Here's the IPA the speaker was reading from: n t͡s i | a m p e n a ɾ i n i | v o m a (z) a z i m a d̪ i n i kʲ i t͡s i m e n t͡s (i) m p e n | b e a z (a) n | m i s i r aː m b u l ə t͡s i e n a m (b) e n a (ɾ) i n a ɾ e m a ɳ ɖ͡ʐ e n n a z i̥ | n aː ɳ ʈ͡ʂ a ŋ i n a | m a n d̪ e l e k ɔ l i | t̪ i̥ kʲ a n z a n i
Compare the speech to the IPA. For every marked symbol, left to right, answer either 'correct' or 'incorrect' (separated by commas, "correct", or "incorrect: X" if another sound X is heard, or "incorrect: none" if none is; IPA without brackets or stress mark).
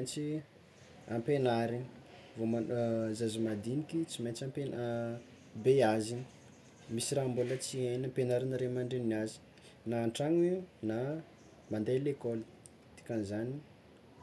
correct, incorrect: a, incorrect: i, incorrect: p, correct